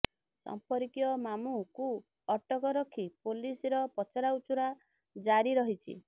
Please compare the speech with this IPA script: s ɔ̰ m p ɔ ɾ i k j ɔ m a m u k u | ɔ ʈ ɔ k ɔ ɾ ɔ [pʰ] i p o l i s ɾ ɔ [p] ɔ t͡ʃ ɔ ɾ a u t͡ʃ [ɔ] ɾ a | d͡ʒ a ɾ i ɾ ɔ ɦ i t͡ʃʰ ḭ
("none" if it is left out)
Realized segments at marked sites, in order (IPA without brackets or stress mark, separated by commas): kʰ, p, u